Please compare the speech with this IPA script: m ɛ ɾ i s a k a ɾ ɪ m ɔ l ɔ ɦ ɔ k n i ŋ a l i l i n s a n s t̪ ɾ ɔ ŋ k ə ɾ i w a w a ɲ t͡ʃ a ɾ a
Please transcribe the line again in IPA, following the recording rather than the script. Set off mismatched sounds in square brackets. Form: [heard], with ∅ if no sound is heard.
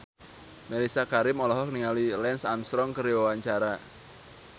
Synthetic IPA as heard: m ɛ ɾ i s a k a ɾ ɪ m ɔ l ɔ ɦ ɔ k n i ŋ a l i l [ɛ] n s a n s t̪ ɾ ɔ ŋ k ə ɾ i w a w a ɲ t͡ʃ a ɾ a